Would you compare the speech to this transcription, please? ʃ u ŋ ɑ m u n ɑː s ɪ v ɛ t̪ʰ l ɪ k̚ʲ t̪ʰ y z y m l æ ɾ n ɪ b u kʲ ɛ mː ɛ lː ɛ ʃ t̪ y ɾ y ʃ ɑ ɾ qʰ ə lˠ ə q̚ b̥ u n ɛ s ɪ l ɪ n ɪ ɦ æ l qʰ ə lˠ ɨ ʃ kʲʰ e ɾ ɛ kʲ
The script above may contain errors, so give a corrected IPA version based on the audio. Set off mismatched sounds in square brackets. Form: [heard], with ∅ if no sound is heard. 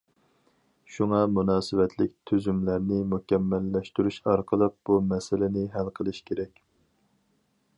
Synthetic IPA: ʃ u ŋ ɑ m u n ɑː s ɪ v ɛ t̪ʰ l ɪ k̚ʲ t̪ʰ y z y m l æ ɾ n ɪ [m] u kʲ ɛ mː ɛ lː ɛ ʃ t̪ y ɾ y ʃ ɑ ɾ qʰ ə lˠ ə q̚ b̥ u [m] ɛ s ɪ l ɪ n ɪ ɦ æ l qʰ ə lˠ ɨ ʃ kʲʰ e ɾ ɛ kʲ